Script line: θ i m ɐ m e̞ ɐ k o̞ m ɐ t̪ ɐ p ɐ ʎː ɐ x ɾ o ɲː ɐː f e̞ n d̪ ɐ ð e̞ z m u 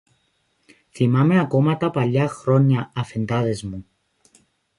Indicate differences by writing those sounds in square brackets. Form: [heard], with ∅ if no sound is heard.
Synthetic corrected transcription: θ i m ɐ m e̞ ɐ k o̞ m ɐ t̪ ɐ p ɐ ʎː ɐ x ɾ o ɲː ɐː f e̞ n d̪ ɐ ð e̞ z m u